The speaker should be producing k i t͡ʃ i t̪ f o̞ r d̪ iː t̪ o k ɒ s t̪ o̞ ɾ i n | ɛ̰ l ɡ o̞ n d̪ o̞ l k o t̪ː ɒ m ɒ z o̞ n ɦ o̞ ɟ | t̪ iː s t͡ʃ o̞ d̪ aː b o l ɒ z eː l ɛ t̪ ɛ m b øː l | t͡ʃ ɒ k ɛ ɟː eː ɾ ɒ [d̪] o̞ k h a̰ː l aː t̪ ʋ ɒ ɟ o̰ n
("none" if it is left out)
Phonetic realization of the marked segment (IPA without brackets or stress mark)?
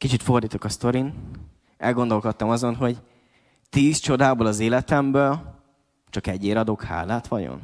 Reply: d̪